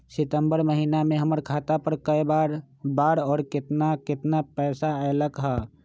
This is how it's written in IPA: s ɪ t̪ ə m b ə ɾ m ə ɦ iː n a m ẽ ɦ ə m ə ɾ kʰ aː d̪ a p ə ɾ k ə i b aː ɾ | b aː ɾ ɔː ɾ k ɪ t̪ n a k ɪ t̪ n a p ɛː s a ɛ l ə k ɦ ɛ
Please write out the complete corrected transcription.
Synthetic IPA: s ɪ t̪ ə m b ə ɾ m ə ɦ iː n a m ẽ ɦ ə m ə ɾ kʰ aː t̪ a p ə ɾ k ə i b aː ɾ | b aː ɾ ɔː ɾ k ɪ t̪ n a k ɪ t̪ n a p ɛː s a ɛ l ə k ɦ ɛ